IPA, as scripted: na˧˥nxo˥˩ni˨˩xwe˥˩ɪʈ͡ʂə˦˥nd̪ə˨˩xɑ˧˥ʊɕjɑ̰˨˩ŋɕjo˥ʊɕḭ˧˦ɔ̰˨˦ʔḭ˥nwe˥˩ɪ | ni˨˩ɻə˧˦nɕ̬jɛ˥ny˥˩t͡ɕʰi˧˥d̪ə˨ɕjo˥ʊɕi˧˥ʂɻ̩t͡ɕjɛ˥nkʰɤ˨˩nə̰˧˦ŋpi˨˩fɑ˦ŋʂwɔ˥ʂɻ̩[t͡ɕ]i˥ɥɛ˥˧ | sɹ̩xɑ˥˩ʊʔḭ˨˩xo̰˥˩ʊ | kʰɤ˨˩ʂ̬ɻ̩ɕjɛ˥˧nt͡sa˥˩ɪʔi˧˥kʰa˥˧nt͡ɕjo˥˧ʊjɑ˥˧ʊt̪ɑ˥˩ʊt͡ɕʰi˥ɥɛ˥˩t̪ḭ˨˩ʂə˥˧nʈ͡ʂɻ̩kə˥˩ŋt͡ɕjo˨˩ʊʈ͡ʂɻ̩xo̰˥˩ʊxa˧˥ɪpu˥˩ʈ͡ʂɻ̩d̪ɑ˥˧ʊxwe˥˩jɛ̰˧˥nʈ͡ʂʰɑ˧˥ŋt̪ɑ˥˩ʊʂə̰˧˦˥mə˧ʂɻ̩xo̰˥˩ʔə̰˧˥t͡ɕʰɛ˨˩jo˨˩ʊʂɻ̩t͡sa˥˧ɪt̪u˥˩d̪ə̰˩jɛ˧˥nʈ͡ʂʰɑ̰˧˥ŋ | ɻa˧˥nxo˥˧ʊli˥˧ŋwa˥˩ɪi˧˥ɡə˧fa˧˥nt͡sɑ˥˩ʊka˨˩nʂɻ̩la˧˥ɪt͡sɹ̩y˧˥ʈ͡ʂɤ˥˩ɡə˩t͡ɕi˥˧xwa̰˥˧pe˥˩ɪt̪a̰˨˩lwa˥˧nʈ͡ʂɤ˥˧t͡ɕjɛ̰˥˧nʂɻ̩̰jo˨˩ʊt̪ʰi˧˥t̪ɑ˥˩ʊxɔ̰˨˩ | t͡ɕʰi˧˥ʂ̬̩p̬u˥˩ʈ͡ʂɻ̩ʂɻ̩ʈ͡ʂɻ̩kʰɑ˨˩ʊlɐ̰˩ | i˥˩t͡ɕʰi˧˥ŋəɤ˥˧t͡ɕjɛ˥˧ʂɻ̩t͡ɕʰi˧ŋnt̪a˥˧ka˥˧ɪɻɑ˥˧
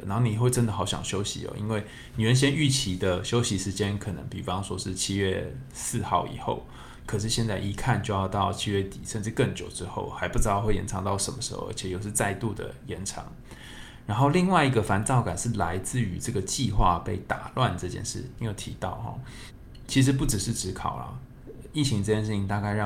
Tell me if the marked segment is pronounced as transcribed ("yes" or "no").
no